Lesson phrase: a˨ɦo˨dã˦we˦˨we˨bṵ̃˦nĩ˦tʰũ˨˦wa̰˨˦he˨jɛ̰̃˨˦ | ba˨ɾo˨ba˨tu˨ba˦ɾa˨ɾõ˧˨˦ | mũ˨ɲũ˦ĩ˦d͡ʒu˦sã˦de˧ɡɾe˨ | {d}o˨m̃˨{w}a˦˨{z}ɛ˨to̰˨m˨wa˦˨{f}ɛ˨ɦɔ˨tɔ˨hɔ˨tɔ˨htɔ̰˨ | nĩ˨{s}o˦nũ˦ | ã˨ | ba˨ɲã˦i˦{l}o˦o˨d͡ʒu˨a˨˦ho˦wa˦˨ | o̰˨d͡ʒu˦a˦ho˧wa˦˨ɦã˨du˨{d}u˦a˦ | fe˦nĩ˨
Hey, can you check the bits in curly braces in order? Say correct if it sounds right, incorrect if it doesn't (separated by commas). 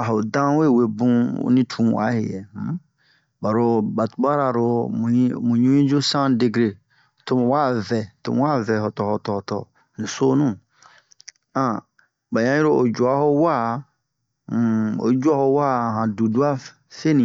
incorrect, correct, incorrect, incorrect, correct, incorrect, correct